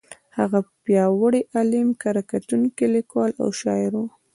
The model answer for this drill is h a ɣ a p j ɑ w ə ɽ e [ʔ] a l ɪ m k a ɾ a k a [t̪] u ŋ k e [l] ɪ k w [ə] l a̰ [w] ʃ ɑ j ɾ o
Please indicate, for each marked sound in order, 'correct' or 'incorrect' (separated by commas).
correct, correct, correct, incorrect, correct